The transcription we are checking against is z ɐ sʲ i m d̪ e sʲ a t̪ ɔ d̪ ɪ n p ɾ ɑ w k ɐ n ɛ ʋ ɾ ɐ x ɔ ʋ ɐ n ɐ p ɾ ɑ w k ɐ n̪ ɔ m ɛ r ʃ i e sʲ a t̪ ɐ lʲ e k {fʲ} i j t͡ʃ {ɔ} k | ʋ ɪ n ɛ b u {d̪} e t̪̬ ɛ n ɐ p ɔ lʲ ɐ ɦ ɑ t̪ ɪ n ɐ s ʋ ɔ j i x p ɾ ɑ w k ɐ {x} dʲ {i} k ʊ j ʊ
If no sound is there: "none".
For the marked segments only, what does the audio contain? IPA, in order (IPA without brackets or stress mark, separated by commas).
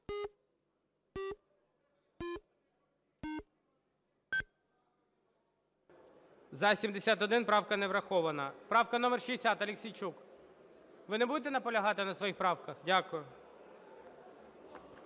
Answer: sʲ, u, d̪, x, a